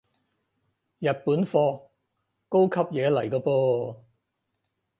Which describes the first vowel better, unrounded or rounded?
unrounded